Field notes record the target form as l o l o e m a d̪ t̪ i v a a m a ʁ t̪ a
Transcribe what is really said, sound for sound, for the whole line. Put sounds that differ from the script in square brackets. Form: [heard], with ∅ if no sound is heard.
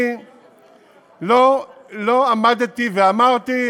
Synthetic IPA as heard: l o l o [a] m a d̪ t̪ i v [e] a m a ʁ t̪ [i]